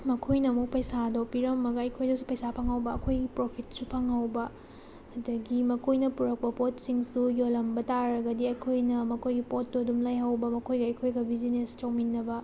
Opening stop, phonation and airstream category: aspirated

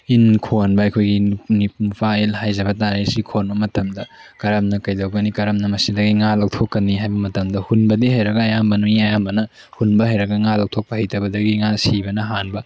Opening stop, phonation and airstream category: aspirated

